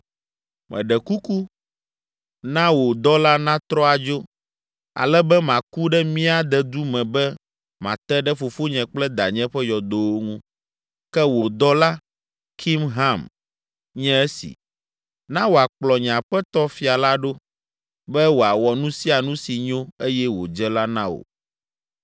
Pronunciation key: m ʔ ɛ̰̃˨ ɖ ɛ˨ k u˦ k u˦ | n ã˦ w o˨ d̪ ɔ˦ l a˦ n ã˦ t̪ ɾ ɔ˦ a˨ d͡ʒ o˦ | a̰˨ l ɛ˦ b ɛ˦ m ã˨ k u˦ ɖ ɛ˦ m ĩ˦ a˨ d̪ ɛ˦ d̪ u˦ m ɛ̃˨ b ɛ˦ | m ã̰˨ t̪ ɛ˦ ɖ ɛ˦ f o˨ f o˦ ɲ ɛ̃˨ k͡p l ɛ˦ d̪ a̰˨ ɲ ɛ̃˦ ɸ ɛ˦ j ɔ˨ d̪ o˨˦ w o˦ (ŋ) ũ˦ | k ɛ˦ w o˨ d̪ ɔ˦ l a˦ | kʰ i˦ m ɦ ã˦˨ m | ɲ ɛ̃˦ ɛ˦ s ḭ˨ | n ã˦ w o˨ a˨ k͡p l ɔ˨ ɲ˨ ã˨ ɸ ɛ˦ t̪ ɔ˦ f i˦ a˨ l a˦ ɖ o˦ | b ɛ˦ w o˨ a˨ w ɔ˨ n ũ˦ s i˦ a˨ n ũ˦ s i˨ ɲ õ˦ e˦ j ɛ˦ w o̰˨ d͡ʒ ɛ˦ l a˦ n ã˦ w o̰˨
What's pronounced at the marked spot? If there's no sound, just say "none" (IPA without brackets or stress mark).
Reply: ŋ